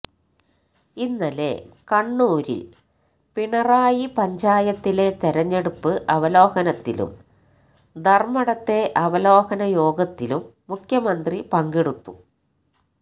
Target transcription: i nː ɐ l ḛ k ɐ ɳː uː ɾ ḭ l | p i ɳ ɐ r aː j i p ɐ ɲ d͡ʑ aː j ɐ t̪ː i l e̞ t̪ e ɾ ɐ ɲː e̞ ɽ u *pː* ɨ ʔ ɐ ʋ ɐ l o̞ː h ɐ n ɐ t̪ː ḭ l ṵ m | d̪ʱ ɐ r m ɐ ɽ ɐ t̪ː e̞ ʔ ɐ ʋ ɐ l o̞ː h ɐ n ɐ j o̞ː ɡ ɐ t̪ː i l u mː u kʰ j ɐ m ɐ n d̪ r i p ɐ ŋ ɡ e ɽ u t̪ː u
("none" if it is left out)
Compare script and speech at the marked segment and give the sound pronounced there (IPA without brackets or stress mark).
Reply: pː